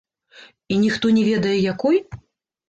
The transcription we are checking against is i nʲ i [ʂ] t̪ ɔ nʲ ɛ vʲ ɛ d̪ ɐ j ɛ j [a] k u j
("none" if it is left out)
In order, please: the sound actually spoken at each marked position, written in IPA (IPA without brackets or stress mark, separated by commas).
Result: x, a